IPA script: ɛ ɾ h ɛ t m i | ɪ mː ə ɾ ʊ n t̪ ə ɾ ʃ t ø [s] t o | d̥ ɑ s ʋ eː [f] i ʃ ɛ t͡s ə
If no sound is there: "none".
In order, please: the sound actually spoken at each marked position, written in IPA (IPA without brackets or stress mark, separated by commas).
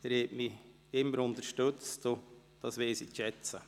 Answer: t͡s, s